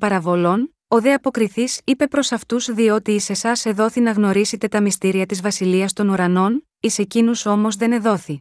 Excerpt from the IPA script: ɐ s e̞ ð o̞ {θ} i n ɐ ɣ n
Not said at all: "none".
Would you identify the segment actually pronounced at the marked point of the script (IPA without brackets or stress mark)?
θ